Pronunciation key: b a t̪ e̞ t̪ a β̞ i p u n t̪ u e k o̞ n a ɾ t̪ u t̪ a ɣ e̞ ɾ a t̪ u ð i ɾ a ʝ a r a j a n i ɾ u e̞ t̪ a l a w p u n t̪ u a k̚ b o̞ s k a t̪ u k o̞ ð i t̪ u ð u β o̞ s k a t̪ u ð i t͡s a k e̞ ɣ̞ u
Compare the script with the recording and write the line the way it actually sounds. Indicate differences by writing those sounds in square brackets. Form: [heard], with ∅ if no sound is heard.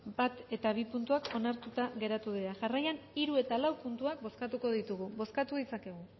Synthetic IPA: b a t̪ e̞ t̪ a β̞ i p u n t̪ u [a] k o̞ n a ɾ t̪ u t̪ a ɣ e̞ ɾ a t̪ u ð i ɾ a ʝ a r a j a n i ɾ u e̞ t̪ a l a w p u n t̪ u a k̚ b o̞ s k a t̪ u k o̞ ð i t̪ u [ɣ] u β o̞ s k a t̪ u ð i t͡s a k e̞ ɣ̞ u

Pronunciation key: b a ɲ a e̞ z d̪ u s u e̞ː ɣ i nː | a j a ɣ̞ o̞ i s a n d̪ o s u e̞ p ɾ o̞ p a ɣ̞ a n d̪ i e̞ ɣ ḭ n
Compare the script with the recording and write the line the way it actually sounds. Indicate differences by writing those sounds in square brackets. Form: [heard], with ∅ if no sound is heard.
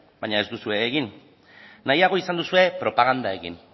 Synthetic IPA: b a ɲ a e̞ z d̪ u s u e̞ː ɣ i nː | a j a ɣ̞ o̞ i s a n d̪ [u] s u e̞ p ɾ o̞ p a ɣ̞ a n d̪ [a] e̞ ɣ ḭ n

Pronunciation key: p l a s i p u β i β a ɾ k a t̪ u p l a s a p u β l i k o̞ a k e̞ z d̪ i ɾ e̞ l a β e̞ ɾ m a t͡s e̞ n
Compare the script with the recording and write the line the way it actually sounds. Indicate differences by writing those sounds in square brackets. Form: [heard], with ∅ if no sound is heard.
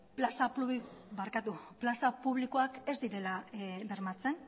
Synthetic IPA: p l a s [a] p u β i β a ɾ k a t̪ u p l a s a p u β l i k o̞ a k e̞ z d̪ i ɾ e̞ l a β e̞ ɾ m a t͡s e̞ n

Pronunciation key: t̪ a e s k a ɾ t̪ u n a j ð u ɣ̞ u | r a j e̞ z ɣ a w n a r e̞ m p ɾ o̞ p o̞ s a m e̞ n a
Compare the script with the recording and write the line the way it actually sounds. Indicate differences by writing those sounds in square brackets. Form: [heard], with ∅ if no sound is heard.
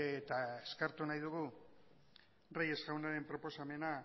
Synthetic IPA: t̪ a e s k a ɾ t̪ u n a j ð u ɣ̞ u | r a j e̞ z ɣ a w n a [ɾ] e̞ m p ɾ o̞ p o̞ s a m e̞ n a

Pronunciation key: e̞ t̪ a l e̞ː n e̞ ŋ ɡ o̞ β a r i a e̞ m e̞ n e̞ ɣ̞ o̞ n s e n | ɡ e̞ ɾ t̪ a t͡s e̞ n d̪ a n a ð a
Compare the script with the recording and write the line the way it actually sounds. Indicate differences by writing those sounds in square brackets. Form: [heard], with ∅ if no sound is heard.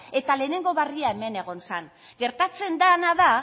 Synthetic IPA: e̞ t̪ a l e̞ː n e̞ ŋ ɡ o̞ β a r i a e̞ m e̞ n e̞ ɣ̞ o̞ n s [a] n | ɡ e̞ ɾ t̪ a t͡s e̞ n d̪ a n a ð a

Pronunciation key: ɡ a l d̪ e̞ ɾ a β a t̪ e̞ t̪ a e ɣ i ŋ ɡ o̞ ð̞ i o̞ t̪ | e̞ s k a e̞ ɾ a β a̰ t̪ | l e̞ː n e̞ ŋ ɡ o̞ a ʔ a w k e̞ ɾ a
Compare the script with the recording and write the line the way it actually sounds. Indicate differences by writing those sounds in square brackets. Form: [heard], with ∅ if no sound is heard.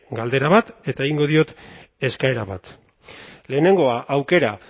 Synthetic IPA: ɡ a l d̪ e̞ ɾ a β a t̪ e̞ t̪ a e ɣ i ŋ ɡ o̞ ð̞ i o̞ t̪ | e̞ s k a e̞ ɾ a β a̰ t̪ | l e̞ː n e̞ ŋ ɡ o̞ a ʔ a w k e̞ ɾ a

